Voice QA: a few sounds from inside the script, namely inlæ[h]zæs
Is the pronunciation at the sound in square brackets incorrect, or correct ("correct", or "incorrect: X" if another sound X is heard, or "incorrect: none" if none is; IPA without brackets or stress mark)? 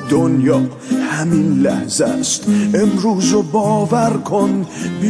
correct